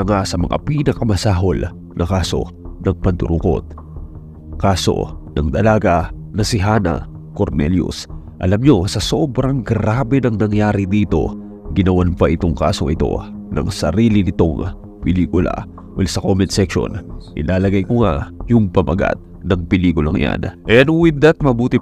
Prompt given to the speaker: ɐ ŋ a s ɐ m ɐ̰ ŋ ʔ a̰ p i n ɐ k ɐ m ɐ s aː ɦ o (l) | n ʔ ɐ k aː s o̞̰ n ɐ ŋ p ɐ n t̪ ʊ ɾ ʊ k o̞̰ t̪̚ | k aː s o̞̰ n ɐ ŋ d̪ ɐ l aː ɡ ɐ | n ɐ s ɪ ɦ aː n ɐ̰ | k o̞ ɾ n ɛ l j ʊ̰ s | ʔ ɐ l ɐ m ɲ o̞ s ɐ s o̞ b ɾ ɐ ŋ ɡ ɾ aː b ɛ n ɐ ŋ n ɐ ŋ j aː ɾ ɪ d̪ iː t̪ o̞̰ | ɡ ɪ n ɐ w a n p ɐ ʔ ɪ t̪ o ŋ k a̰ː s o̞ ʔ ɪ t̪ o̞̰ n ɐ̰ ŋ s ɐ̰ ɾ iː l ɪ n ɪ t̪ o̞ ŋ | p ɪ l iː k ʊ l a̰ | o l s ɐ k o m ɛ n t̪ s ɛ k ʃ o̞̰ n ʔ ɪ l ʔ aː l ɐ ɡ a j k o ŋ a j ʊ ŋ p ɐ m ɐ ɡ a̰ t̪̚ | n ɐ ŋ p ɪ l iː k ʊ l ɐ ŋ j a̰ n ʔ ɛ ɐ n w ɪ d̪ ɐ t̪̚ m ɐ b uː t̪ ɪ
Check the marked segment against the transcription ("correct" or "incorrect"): correct